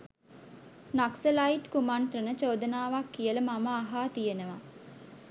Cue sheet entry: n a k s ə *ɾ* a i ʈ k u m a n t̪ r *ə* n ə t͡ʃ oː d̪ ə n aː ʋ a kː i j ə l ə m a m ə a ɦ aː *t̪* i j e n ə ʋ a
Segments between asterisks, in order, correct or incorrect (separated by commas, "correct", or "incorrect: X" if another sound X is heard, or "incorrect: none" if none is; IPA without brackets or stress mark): incorrect: l, correct, correct